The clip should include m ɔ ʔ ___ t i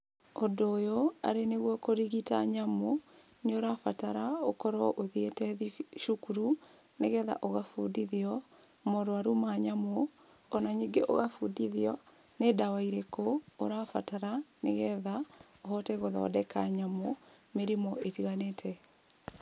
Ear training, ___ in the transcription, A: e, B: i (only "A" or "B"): A